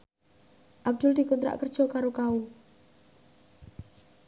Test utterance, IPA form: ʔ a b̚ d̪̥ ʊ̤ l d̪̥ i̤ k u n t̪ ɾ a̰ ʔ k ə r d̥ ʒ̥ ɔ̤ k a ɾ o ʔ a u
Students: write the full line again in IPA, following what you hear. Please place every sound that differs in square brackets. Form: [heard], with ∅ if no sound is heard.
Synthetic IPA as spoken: ʔ a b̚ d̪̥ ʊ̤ l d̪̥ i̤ k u n t̪ ɾ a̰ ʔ k ə r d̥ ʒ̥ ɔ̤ k a ɾ o [k] a u

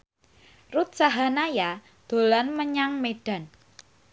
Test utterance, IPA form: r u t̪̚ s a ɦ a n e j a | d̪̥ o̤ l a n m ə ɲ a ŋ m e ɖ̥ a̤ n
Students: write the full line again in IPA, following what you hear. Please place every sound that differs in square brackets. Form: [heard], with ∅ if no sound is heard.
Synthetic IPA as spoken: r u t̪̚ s a ɦ a n [a] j a | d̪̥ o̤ l a n m ə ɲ a ŋ m e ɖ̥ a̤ n

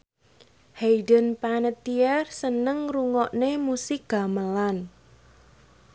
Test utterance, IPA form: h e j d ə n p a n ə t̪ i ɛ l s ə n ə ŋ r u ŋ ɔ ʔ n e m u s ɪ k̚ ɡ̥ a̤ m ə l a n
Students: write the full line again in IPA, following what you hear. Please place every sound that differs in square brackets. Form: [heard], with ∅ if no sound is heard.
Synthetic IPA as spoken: h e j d ə n p a n ə t̪ i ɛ [r] s ə n ə ŋ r u ŋ ɔ ʔ n e m u s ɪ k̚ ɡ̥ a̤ m ə l a n

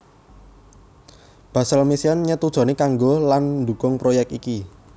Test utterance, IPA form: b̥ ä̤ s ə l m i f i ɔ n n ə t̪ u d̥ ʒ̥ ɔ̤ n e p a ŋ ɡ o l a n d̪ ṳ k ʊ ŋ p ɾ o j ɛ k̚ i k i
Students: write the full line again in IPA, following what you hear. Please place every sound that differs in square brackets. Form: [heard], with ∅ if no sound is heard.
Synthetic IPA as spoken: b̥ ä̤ s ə l m i [s] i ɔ n [ɲ] ə t̪ u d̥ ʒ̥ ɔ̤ n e [k] a ŋ ɡ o l a n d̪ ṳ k ʊ ŋ p ɾ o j ɛ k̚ i k i

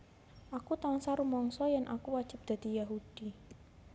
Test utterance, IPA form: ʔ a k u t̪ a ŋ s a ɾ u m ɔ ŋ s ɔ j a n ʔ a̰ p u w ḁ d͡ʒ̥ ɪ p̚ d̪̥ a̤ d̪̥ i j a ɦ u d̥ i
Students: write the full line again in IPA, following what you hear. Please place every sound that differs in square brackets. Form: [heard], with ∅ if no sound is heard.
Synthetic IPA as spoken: ʔ a k u t̪ a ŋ s a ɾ u m ɔ ŋ s ɔ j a n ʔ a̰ [k] u w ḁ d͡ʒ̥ ɪ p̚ d̪̥ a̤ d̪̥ i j a ɦ u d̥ i

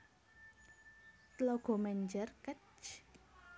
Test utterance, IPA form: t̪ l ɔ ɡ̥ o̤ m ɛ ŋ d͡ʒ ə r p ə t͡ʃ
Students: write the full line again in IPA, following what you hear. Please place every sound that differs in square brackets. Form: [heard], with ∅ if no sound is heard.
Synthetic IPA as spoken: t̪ l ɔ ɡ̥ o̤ m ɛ [ɲ] d͡ʒ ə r [k] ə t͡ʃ

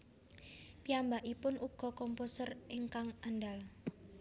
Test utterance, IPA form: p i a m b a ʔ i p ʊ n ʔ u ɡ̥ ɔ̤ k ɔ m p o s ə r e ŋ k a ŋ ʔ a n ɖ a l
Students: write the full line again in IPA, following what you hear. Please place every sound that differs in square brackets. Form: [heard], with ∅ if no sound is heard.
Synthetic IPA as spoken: p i a m b a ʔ i p ʊ n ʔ u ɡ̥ ɔ̤ k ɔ m p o s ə r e ŋ k a ŋ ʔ a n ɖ a l

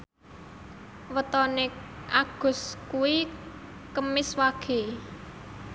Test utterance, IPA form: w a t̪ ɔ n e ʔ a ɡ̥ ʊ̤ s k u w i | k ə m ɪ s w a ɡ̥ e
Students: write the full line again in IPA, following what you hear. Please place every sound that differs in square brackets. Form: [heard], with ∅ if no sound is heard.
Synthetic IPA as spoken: w [ə] t̪ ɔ n e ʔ a ɡ̥ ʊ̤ s k u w i | k ə m ɪ s w a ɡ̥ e

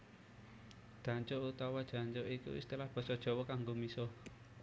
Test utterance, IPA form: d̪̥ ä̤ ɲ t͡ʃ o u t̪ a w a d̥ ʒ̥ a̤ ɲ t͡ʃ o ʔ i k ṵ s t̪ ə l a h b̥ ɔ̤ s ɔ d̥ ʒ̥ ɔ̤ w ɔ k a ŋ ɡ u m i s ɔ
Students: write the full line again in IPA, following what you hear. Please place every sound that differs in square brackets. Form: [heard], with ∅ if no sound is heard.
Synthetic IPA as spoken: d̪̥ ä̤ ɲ t͡ʃ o u t̪ a w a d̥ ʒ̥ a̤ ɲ t͡ʃ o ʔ i k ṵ s t̪ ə l a h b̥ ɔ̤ s ɔ d̥ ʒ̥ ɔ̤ w ɔ k a ŋ ɡ [o] m i s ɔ

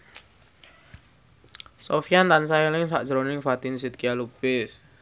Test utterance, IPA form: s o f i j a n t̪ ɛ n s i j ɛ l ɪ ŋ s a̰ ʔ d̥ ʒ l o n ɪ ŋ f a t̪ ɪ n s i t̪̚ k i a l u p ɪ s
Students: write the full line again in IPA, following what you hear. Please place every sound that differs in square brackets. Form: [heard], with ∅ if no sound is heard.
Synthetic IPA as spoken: s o f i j a n t̪ [a] n s [a] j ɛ l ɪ ŋ s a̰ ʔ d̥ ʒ [ɾ] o n ɪ ŋ f a t̪ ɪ n s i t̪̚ k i a l u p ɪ s

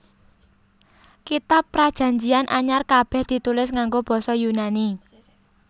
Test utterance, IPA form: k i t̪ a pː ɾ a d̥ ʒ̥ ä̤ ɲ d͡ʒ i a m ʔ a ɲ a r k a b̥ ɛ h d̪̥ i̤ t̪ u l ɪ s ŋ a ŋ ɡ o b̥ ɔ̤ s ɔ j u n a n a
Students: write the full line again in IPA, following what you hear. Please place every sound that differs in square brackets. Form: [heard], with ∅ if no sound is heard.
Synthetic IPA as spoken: k i t̪ a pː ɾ a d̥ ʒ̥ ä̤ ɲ d͡ʒ i a [n] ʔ a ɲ a r k a b̥ ɛ h d̪̥ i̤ t̪ u l ɪ s ŋ a ŋ ɡ o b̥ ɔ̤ s ɔ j u n a n [i]

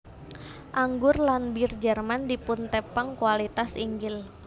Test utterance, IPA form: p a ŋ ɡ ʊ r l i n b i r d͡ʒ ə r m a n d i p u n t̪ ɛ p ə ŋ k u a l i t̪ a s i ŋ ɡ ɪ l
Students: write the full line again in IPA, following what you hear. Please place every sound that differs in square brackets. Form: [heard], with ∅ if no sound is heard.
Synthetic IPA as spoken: [ʔ] a ŋ ɡ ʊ r l [a] n b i r d͡ʒ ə r m a n d i p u n t̪ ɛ p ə ŋ k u a l i t̪ a s i ŋ ɡ ɪ l

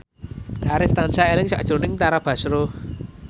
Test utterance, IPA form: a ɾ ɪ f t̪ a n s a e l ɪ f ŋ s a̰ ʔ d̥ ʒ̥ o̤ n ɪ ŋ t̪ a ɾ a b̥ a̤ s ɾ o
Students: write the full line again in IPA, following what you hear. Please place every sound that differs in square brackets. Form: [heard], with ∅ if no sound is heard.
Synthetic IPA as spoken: a ɾ ɪ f t̪ a n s a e l ɪ [∅] ŋ s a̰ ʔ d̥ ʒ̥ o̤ n ɪ ŋ t̪ a ɾ a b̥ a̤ s ɾ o

